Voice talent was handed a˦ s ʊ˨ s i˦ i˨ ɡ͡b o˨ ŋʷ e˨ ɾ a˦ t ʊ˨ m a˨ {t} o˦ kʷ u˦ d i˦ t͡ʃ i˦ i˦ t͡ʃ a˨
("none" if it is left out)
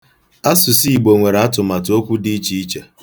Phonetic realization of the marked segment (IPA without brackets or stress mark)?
t